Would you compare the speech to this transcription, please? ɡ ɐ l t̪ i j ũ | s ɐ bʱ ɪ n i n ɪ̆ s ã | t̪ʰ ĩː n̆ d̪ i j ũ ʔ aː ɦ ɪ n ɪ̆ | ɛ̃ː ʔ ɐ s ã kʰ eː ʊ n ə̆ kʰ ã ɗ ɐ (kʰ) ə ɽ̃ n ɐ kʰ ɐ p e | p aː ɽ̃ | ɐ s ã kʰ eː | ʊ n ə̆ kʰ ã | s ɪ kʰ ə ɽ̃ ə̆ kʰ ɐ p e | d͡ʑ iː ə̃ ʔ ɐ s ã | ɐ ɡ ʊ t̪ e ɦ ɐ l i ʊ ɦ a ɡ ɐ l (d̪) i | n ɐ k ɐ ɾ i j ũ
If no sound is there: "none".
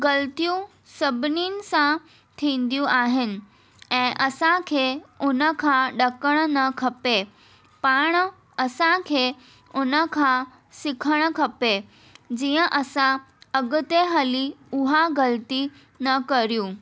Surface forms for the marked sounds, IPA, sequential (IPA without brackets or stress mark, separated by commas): k, t̪